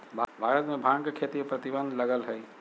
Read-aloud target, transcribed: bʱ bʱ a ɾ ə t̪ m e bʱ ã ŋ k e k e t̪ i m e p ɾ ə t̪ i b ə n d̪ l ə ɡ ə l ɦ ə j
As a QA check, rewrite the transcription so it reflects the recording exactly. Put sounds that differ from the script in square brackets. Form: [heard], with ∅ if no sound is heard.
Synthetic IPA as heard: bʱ bʱ a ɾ ə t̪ m e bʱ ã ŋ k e [kʰ] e t̪ i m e p ɾ ə t̪ i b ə n d̪ l ə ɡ ə l ɦ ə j